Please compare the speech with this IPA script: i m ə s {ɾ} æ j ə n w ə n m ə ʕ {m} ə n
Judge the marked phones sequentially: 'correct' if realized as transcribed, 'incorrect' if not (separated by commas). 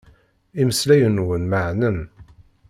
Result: incorrect, incorrect